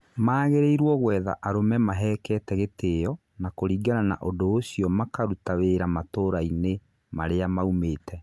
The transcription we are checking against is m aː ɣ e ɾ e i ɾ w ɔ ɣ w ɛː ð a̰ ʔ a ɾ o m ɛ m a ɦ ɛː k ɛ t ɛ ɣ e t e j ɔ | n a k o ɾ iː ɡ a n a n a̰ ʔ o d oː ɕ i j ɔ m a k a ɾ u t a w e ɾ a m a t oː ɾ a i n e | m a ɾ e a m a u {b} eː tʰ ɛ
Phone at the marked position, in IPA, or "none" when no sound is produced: m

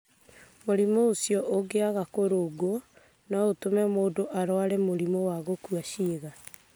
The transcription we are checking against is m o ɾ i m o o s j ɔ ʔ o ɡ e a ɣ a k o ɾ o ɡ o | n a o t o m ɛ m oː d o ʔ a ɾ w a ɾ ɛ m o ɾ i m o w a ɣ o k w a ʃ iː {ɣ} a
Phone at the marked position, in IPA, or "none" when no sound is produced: ɣ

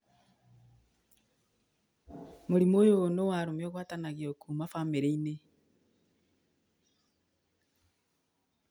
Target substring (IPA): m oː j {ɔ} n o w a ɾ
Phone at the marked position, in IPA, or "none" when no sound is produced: o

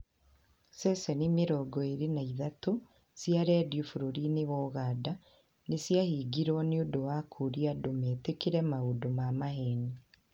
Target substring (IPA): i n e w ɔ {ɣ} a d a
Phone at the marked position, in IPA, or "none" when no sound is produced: ɣ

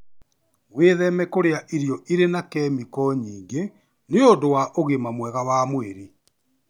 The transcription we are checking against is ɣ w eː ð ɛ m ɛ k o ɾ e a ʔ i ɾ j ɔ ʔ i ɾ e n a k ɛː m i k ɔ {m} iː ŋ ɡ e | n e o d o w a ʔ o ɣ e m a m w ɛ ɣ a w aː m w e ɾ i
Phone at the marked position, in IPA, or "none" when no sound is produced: ɲ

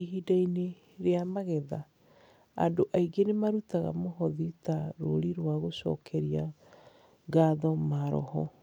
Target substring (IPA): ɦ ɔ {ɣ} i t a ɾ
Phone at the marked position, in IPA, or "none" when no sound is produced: ð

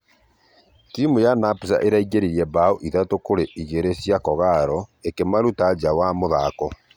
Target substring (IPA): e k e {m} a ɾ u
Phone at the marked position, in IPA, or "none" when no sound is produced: m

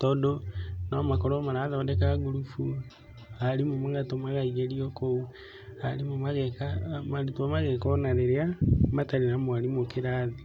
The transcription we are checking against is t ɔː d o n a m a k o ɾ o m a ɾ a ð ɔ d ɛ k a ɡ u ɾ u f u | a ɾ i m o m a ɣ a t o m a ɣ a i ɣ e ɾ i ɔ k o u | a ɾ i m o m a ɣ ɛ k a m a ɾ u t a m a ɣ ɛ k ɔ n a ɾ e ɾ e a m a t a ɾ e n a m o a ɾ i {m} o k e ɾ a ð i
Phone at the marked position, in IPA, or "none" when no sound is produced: m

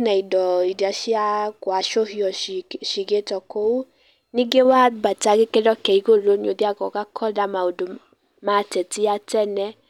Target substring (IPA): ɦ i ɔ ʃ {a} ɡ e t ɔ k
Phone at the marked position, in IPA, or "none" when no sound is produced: i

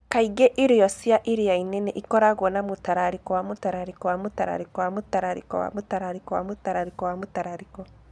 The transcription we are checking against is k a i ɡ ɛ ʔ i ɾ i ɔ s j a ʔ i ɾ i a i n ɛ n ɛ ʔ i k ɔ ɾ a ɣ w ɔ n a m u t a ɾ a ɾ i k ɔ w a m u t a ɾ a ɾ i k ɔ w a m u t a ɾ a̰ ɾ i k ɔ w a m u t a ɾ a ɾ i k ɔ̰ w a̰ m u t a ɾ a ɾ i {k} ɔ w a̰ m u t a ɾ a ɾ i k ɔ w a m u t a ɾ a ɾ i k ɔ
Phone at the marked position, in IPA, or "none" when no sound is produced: k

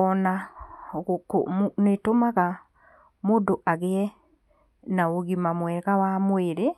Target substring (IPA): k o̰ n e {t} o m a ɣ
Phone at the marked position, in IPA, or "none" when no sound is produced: t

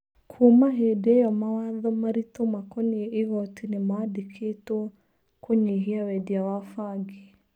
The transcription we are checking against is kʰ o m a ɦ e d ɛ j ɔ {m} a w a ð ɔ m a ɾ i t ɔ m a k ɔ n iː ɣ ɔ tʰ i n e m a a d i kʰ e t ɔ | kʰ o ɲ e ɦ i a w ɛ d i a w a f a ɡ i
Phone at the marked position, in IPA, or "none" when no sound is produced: m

